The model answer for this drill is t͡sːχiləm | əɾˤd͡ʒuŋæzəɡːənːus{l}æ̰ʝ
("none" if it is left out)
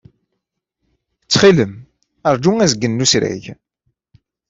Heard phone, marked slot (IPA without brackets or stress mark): ɾ